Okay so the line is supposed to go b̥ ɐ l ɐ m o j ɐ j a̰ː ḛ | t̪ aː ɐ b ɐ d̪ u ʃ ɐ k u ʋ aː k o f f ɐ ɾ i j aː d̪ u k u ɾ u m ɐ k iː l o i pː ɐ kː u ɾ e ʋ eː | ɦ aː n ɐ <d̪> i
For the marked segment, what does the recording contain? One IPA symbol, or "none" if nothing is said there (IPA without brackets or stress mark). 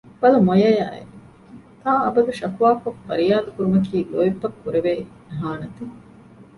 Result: t̪